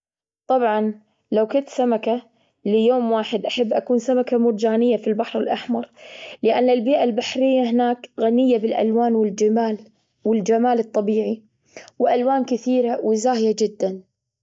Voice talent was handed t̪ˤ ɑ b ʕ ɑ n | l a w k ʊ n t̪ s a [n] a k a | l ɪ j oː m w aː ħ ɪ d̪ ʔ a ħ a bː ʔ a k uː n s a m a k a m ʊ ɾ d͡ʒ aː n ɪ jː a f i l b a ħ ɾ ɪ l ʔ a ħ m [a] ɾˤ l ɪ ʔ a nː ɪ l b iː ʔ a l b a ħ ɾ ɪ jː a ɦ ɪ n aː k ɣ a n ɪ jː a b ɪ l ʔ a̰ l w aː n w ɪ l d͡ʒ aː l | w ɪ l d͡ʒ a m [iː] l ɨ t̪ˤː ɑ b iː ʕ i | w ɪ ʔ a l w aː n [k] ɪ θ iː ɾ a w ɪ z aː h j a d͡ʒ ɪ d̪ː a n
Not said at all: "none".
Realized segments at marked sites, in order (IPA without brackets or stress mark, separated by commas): m, ɑ, aː, k